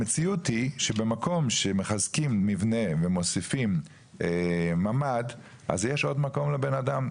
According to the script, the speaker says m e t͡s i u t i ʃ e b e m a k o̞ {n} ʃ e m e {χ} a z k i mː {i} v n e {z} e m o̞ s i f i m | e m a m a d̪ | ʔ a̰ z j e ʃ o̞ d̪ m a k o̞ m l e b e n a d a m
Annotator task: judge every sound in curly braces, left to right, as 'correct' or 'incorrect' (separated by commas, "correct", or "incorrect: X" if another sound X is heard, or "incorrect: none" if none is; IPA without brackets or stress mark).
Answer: incorrect: m, correct, correct, incorrect: v